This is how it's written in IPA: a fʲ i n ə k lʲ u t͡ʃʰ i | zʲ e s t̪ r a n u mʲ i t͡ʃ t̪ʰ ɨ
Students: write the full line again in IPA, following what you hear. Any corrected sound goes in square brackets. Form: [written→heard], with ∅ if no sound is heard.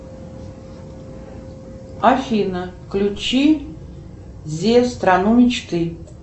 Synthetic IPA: a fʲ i n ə k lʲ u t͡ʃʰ i | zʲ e s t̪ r a n u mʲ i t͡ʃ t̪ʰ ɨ

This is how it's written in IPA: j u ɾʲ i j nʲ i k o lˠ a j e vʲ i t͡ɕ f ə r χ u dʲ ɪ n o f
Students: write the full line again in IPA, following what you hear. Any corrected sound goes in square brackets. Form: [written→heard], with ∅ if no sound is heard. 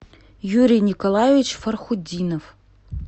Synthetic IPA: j u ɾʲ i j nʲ i k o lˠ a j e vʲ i t͡ɕ f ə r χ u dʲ [ɪ→i] n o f

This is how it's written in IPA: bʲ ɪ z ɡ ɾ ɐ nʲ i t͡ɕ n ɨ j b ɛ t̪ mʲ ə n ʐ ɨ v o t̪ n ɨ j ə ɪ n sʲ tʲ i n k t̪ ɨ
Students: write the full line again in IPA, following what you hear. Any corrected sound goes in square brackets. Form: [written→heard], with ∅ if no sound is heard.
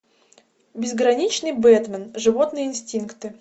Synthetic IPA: bʲ ɪ z ɡ ɾ ɐ nʲ i t͡ɕ n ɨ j b ɛ t̪ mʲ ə n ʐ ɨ v o t̪ n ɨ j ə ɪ n sʲ tʲ i n k t̪ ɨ

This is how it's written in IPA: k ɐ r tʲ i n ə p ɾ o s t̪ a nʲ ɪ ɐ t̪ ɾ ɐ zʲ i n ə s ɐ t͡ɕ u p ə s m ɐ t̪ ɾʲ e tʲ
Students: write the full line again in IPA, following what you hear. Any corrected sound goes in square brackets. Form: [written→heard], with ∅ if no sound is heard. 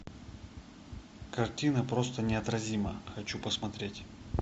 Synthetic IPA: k ɐ r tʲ i n ə p ɾ o s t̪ [a→ə] nʲ ɪ ɐ t̪ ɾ ɐ zʲ i [n→m] ə [s→x] ɐ t͡ɕ u p ə s m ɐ t̪ ɾʲ e tʲ

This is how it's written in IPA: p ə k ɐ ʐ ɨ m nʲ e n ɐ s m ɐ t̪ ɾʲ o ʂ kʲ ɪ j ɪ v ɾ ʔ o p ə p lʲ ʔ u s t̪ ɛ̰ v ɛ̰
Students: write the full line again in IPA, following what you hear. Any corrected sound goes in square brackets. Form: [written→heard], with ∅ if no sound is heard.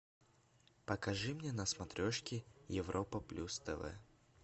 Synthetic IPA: p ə k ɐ ʐ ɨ m nʲ e n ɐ s m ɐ t̪ ɾʲ o ʂ kʲ ɪ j ɪ v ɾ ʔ o p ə p lʲ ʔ u s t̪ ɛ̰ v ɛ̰

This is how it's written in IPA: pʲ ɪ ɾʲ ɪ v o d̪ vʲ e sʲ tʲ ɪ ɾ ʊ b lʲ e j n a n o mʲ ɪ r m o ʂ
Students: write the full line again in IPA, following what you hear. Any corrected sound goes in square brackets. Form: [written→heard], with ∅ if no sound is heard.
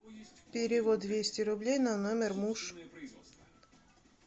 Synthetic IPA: pʲ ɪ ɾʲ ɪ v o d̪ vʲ e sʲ tʲ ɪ ɾ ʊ b lʲ e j n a n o mʲ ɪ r m [o→u] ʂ

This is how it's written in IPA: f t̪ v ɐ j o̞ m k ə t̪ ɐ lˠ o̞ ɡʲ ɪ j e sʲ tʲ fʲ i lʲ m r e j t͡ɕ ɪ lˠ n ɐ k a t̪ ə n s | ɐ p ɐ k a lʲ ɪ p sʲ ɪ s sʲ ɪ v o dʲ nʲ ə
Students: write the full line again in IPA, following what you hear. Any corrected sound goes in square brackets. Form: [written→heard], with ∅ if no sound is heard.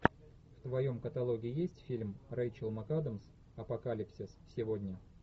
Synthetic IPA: f t̪ v ɐ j o̞ m k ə t̪ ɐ lˠ o̞ ɡʲ ɪ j e sʲ tʲ fʲ i lʲ m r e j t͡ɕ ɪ lˠ [n→m] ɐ k a [t̪→d̪] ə [n→m] s | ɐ p ɐ k a lʲ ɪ p sʲ ɪ s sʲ ɪ v o dʲ nʲ ə

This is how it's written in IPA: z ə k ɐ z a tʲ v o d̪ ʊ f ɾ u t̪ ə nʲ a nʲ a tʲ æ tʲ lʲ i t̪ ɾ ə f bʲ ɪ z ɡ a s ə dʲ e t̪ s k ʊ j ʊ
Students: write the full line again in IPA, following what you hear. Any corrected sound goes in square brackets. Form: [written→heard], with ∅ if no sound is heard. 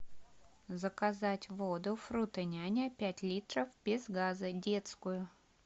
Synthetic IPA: z ə k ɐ z a tʲ v o d̪ ʊ f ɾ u t̪ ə nʲ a nʲ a [tʲ→pʲ] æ tʲ lʲ i t̪ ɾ ə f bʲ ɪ z ɡ a [s→z] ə dʲ e t̪ s k ʊ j ʊ

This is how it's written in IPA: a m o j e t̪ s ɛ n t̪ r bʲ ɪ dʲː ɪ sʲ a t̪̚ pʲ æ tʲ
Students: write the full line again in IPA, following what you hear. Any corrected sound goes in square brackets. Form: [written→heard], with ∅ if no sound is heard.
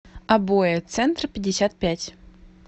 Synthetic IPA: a [m→b] o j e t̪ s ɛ n t̪ r [bʲ→pʲ] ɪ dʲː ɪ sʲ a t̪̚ pʲ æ tʲ

